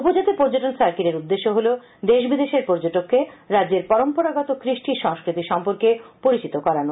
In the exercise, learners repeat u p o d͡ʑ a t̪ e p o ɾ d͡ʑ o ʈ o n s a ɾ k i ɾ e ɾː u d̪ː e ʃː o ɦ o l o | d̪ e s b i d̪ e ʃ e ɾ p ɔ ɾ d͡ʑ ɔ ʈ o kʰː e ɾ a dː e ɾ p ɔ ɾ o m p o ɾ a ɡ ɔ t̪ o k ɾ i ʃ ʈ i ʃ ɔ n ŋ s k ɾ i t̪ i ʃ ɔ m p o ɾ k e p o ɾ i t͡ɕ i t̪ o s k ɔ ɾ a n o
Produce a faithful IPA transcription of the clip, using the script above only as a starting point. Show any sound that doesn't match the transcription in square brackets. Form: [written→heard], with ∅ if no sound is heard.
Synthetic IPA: u p o d͡ʑ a t̪ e p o ɾ d͡ʑ o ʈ o n s a ɾ k i ɾ e [ɾː→ɾ] u d̪ː e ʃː o ɦ o l o | d̪ e [s→ʃ] b i d̪ e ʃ e ɾ p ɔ ɾ d͡ʑ [ɔ→o] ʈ o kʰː e ɾ a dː e ɾ p ɔ ɾ o m p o ɾ a ɡ ɔ t̪ o k ɾ i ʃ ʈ i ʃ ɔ [n→∅] ŋ s k ɾ i t̪ i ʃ ɔ m p o ɾ k e p o ɾ i t͡ɕ i t̪ o [s→∅] k ɔ ɾ a n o